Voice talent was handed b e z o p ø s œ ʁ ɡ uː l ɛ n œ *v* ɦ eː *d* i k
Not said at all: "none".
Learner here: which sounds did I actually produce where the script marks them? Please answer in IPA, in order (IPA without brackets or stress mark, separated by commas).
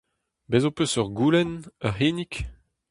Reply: ʁ, n